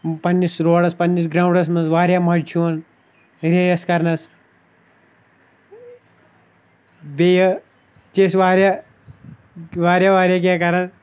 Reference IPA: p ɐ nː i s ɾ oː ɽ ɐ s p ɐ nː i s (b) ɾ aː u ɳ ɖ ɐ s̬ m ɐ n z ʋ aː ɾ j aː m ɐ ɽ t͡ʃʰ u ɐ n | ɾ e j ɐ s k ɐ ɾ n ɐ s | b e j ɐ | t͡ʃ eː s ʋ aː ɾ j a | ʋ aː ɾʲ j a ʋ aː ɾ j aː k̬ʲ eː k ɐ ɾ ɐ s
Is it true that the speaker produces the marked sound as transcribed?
no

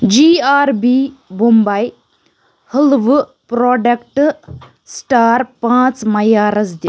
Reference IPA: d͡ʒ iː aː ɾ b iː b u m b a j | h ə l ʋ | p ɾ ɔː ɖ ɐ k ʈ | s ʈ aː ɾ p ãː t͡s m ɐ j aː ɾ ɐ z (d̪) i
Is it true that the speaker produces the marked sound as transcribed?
yes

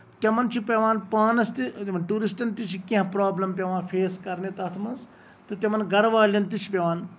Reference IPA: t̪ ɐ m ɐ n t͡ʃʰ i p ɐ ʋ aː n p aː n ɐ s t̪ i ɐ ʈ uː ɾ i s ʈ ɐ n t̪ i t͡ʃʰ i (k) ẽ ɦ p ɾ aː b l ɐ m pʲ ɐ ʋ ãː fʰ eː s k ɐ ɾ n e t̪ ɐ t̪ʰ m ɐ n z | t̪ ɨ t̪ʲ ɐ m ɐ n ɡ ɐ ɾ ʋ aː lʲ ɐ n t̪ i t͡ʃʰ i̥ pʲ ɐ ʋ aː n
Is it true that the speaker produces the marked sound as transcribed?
yes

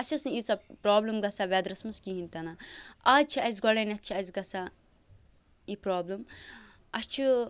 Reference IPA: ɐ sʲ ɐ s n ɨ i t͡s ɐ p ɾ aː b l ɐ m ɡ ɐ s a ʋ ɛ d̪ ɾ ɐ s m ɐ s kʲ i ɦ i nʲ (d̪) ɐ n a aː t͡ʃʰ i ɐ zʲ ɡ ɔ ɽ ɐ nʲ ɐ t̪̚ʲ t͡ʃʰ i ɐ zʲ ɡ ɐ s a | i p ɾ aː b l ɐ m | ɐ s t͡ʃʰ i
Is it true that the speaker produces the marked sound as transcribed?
no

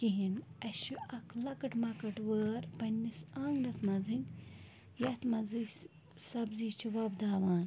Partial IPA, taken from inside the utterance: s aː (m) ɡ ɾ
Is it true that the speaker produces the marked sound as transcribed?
no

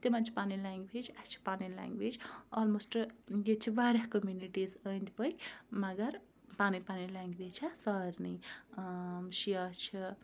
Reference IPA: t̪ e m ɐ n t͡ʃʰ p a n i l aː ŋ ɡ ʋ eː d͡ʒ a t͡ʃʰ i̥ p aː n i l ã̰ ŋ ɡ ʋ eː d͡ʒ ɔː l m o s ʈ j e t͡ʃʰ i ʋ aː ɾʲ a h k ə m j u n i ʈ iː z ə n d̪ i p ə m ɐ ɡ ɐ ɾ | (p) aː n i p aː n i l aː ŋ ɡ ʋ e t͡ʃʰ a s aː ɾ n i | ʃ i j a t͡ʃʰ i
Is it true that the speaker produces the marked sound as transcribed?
yes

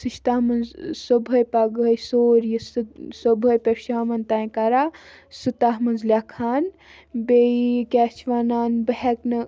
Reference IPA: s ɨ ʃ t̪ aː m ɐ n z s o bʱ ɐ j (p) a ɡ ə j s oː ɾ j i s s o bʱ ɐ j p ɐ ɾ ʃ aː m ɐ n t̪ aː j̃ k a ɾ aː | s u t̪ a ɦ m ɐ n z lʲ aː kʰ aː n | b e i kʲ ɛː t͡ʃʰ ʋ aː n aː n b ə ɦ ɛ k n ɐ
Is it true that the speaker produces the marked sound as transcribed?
yes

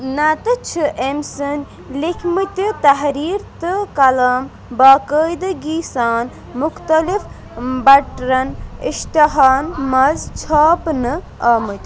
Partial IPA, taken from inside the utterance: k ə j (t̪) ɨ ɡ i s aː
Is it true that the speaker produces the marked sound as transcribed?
no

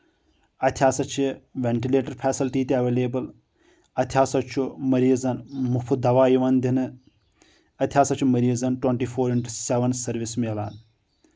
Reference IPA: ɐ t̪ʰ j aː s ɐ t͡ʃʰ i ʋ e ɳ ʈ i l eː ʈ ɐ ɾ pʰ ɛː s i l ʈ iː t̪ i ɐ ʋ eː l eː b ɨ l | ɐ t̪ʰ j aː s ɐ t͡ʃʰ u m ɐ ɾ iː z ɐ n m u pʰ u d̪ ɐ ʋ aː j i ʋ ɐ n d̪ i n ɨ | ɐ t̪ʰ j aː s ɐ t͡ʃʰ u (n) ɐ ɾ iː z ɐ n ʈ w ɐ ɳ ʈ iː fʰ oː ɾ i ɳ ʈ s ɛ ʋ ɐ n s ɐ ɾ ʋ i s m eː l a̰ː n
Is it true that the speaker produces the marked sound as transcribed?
no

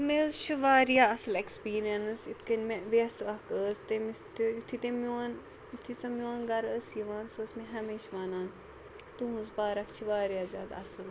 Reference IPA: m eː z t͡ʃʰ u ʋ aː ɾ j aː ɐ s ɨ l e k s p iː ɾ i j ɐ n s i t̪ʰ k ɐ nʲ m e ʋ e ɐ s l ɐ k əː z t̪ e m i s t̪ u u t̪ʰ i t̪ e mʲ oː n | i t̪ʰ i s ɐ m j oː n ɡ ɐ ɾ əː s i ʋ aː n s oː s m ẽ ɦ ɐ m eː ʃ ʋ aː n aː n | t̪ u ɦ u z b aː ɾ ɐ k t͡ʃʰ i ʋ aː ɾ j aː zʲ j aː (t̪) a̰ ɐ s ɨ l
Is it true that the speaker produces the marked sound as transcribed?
no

